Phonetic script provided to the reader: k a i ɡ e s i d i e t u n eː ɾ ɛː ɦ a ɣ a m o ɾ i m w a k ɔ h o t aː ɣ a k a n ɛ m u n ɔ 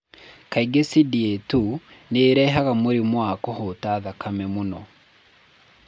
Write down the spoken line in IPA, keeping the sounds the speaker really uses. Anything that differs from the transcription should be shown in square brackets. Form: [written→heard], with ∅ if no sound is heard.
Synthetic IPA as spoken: k a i ɡ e s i d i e t u n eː ɾ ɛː ɦ a ɣ a m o ɾ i m w a k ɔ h o t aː [ɣ→ð] a k a [n→m] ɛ m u n ɔ